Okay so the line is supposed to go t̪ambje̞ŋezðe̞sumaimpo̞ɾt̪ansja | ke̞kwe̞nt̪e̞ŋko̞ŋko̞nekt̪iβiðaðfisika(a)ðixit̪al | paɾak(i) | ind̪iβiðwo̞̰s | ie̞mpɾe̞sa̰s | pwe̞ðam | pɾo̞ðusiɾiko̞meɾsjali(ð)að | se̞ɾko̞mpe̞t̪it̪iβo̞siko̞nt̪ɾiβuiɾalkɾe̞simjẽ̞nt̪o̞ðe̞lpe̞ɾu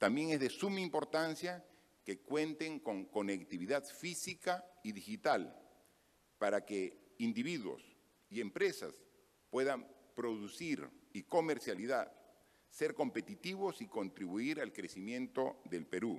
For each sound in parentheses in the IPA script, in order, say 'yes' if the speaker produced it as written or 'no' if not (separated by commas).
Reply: no, no, yes